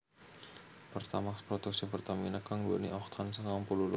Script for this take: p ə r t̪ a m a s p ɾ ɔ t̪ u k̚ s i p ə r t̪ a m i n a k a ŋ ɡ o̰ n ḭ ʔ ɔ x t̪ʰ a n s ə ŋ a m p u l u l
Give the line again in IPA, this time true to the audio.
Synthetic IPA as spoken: p ə r t̪ a m a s p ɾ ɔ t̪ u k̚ s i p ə r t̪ a m i n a k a ŋ ɡ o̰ n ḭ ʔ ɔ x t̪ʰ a n s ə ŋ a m p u l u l